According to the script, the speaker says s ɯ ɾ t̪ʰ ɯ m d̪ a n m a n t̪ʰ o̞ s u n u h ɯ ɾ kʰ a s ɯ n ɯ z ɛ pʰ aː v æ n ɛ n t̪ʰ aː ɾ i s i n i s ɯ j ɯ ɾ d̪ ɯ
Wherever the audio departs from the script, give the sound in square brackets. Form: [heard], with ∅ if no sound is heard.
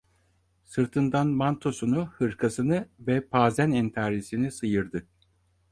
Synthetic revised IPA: s ɯ ɾ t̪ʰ ɯ [n] d̪ a n m a n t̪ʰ o̞ s u n u h ɯ ɾ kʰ a s ɯ n ɯ [v] ɛ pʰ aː [z] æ n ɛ n t̪ʰ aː ɾ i s i n i s ɯ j ɯ ɾ d̪ ɯ